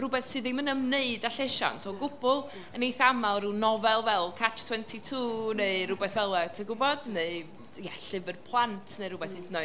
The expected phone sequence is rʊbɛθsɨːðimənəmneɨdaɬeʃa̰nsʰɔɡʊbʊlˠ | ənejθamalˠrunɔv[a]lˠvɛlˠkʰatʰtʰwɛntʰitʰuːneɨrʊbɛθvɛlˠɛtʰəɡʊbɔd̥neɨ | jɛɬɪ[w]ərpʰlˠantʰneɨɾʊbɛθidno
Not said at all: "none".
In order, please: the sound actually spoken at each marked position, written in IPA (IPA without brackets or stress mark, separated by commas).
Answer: ɛ, v